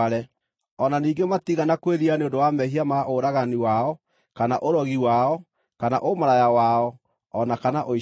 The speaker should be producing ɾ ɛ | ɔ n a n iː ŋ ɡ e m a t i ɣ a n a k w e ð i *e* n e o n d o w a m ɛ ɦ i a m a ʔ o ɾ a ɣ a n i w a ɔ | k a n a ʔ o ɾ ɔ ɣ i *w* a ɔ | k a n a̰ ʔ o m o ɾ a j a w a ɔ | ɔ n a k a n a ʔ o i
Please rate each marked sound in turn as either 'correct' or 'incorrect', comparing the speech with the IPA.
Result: incorrect: a, correct

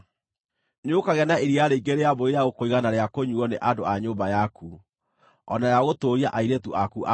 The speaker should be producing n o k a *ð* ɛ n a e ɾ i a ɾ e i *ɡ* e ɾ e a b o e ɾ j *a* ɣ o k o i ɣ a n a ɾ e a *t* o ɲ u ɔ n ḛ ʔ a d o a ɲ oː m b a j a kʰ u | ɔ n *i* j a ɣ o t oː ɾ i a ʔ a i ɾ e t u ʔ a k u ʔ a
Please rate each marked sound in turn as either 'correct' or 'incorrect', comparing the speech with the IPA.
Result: incorrect: ɣ, correct, correct, incorrect: k, incorrect: a

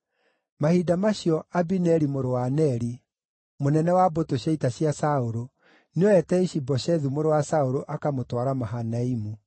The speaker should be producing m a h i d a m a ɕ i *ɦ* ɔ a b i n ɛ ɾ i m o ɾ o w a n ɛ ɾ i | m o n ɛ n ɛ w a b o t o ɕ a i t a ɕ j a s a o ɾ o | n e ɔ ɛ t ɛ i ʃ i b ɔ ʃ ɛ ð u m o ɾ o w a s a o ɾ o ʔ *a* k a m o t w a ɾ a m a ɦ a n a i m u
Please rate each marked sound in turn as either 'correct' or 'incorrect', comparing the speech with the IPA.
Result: incorrect: none, correct

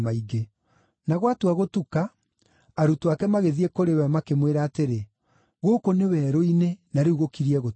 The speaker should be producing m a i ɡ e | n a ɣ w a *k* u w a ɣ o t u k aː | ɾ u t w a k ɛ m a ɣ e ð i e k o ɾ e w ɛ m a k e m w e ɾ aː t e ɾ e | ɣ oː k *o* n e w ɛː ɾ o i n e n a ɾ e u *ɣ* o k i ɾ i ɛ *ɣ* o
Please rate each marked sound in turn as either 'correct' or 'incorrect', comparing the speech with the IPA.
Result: incorrect: t, correct, correct, correct

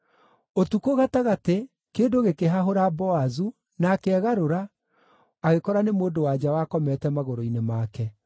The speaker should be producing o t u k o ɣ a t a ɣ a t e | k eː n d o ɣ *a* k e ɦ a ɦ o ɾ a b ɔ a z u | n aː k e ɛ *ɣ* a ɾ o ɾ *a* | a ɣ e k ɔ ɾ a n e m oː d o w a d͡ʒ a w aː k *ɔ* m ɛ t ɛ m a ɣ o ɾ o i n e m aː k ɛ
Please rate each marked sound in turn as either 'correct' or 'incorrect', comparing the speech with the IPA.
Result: incorrect: e, correct, correct, correct

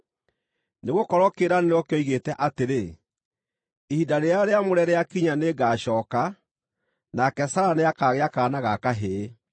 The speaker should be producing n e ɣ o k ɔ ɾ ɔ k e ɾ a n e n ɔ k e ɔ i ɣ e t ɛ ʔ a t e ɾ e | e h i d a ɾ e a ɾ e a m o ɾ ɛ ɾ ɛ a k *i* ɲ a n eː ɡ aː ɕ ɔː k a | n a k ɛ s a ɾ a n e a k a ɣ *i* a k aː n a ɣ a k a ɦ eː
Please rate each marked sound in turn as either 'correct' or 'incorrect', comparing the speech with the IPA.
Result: correct, incorrect: e

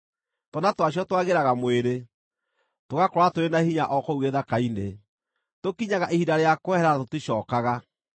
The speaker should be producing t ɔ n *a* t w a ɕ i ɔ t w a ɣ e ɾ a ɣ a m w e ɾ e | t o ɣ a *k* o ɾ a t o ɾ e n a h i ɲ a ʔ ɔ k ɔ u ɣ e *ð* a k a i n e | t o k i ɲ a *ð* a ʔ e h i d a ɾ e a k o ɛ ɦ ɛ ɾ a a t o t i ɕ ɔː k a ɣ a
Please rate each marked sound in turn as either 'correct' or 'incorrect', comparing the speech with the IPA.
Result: correct, correct, correct, incorrect: ɣ

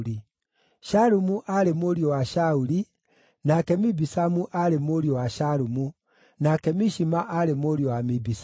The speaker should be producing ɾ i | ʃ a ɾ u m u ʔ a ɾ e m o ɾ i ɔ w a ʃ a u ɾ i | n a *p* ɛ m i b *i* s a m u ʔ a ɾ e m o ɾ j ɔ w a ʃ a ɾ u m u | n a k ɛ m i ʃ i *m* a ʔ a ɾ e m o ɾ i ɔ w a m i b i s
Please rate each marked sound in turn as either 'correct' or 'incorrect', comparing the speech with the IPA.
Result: incorrect: k, correct, correct

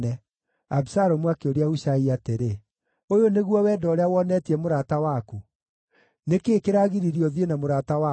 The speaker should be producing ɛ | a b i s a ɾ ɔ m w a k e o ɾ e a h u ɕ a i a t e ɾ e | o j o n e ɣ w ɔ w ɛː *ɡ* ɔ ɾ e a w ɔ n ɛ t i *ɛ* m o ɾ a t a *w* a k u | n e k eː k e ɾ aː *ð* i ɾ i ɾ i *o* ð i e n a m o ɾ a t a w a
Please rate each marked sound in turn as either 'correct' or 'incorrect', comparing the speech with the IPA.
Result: incorrect: d, correct, correct, incorrect: ɣ, incorrect: ɔ

